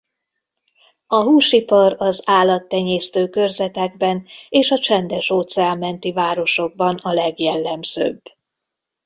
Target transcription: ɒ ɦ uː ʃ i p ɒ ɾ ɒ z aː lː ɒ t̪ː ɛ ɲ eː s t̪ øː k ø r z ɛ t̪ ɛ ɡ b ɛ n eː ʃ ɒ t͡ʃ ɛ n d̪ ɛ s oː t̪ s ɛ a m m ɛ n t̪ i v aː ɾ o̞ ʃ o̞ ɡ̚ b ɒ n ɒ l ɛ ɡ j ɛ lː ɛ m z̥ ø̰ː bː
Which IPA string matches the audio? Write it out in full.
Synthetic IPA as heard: ɒ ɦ uː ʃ i p ɒ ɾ ɒ z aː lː ɒ t̪ː ɛ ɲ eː s t̪ øː k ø r z ɛ t̪ ɛ ɡ b ɛ n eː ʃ ɒ t͡ʃ ɛ n d̪ ɛ ʃ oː t̪ s ɛ a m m ɛ n t̪ i v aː ɾ o̞ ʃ o̞ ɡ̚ b ɒ n ɒ l ɛ ɡ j ɛ lː ɛ m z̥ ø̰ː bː